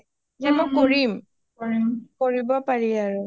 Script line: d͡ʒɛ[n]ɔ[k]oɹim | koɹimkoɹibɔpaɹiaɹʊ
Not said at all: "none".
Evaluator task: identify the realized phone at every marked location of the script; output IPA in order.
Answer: m, k

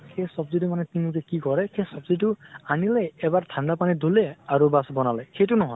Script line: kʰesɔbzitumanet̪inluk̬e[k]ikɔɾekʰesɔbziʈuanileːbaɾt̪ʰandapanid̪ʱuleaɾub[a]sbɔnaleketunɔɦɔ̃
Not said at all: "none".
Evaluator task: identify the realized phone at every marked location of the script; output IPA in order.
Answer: k, a

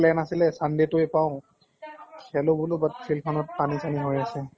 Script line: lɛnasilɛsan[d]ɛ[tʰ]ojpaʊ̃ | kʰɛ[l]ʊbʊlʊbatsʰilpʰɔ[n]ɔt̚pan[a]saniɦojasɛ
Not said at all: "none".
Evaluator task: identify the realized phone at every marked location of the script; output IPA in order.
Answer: d, t, l, n, i

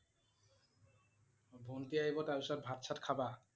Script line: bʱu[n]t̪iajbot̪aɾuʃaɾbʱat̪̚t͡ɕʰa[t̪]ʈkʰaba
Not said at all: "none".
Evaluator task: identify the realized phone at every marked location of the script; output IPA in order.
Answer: n, none

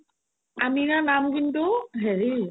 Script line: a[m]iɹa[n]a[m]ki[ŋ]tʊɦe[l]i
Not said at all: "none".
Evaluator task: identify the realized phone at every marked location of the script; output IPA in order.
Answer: m, n, m, n, ɹ

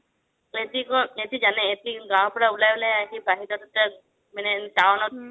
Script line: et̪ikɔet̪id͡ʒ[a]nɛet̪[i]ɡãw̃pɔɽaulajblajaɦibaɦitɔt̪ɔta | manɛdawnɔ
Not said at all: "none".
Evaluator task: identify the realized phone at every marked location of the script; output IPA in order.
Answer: a, i

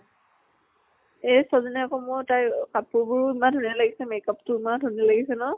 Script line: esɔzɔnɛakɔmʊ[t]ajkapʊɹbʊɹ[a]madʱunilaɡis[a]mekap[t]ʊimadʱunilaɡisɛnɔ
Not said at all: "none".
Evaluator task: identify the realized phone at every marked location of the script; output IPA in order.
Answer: t, i, ɛ, t

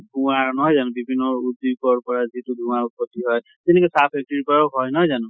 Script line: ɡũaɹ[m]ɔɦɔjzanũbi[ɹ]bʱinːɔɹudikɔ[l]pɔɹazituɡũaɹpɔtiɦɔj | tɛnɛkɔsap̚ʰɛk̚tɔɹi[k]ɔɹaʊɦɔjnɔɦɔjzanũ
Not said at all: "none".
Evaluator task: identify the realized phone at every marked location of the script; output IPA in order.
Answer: n, none, ɹ, p

